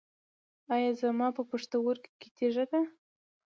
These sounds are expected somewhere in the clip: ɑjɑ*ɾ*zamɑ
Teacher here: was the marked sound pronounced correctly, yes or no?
no